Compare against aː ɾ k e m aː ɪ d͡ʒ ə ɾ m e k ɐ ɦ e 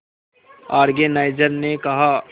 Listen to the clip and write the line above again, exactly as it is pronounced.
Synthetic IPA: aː ɾ ɡ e n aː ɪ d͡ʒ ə ɾ n e k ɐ ɦ a